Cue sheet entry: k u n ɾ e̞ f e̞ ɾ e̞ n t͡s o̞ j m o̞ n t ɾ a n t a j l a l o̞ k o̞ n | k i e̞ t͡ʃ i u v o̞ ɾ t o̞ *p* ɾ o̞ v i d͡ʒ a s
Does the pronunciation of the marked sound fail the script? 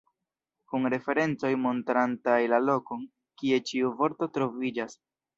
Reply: yes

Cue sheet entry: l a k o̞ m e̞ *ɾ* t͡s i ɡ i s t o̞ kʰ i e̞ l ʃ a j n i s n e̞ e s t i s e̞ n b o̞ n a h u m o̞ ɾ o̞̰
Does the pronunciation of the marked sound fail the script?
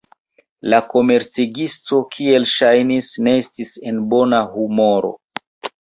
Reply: no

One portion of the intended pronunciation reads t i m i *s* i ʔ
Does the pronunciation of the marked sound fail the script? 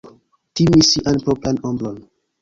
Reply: no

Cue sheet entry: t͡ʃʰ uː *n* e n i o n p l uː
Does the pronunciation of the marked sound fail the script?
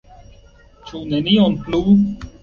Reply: no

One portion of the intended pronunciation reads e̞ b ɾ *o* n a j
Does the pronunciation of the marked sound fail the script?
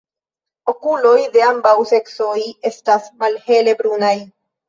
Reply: yes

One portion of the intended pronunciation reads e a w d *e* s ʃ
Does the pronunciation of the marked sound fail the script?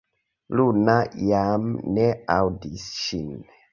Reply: yes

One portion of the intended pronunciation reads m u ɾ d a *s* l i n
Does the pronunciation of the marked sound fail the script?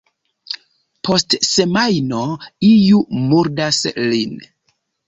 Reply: no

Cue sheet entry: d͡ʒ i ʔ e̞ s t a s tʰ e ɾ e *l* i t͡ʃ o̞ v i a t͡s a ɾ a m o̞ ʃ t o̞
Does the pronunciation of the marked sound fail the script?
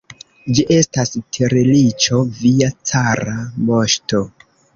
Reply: no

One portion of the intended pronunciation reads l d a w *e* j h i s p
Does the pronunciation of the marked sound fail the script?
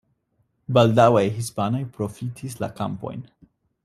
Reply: yes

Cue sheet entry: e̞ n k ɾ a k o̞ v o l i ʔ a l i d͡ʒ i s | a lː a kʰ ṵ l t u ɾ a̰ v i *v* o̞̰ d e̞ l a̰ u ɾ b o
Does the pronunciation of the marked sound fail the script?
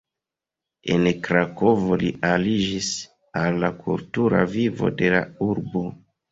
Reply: no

